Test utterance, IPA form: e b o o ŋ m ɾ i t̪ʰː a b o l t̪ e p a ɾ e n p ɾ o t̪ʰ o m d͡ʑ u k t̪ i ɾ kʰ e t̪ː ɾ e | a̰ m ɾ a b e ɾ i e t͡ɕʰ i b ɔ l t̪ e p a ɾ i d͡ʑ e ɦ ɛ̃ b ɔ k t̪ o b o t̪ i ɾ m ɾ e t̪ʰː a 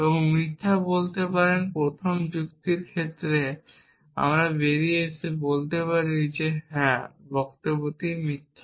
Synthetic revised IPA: e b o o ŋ m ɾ i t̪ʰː a b o l t̪ e p a ɾ e n p ɾ o t̪ʰ o m d͡ʑ u k t̪ i ɾ kʰ e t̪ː ɾ e | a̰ m ɾ a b e ɾ i e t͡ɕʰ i b o l t̪ e p a ɾ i d͡ʑ e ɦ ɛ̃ b ɔ k t̪ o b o t̪ i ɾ m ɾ i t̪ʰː a